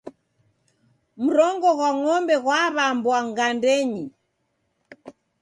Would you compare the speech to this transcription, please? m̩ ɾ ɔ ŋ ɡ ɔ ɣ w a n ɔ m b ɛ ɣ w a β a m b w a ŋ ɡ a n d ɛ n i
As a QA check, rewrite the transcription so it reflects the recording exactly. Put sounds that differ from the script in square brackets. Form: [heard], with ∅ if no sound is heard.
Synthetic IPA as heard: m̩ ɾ ɔ ŋ ɡ ɔ ɣ w a [ŋ] ɔ m b ɛ ɣ w a β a m b w a ŋ ɡ a n d ɛ [ɲ] i